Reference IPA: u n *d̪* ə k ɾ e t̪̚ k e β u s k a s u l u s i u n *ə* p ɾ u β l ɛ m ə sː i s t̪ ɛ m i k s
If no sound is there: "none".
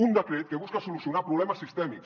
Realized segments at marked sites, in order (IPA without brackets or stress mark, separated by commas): d̪, a